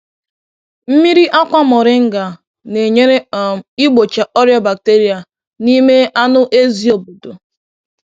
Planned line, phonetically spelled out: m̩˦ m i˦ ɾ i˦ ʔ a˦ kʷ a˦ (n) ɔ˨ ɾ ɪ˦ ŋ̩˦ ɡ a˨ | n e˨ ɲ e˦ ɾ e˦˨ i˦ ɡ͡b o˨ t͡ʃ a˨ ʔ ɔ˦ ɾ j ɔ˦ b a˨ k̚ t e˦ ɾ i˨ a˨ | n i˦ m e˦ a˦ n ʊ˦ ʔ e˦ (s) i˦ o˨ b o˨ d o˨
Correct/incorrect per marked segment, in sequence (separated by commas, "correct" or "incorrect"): incorrect, incorrect